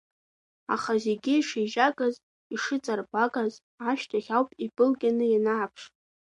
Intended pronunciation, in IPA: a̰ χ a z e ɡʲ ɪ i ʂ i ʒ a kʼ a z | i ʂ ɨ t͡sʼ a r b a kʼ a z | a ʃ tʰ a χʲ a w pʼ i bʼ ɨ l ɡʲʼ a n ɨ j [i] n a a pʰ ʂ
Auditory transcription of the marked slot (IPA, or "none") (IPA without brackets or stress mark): a